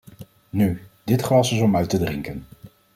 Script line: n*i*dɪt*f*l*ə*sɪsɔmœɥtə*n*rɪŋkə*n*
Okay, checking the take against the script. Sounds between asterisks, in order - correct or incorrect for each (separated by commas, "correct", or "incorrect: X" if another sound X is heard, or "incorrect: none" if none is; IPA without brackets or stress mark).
incorrect: y, incorrect: χ, incorrect: ɑ, incorrect: d, correct